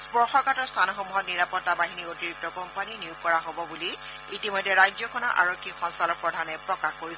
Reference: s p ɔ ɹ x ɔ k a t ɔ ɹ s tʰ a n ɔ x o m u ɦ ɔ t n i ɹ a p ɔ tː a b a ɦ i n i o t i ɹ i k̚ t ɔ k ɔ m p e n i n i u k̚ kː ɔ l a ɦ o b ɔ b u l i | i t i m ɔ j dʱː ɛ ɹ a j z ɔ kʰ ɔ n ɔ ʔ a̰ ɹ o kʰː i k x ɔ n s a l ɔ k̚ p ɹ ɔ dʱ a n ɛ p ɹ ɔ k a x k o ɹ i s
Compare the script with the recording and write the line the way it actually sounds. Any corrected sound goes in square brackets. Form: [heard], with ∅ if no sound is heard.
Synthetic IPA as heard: s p ɔ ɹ x ɔ k a t ɔ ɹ s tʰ a n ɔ x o m u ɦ ɔ t n i ɹ a p ɔ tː a b a ɦ i n i o t i ɹ i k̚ t ɔ k ɔ m p [a] n i n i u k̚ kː ɔ [ɹ] a ɦ o b ɔ b u l i | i t i m ɔ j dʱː ɛ ɹ a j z ɔ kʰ ɔ n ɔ ʔ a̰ ɹ o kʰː i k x ɔ n s a l ɔ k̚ p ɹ ɔ dʱ a n ɛ p ɹ ɔ k a x k o ɹ i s